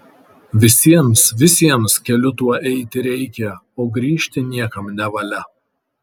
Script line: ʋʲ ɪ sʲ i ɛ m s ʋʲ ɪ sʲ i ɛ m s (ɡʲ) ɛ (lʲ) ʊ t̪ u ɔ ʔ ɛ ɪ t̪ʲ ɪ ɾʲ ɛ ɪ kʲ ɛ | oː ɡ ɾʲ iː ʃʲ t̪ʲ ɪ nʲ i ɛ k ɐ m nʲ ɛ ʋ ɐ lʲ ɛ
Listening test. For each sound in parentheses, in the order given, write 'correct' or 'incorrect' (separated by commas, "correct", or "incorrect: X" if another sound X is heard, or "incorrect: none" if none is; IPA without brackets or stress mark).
incorrect: kʲ, correct